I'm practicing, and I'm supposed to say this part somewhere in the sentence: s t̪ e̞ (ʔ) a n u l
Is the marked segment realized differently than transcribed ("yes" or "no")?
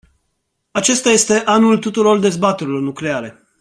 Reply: no